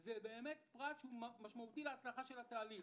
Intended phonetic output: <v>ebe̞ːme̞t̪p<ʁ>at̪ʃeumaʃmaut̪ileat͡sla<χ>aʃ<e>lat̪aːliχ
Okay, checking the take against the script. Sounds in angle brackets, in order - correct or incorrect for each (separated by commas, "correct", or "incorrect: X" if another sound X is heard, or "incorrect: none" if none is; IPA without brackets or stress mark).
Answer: incorrect: z, correct, correct, correct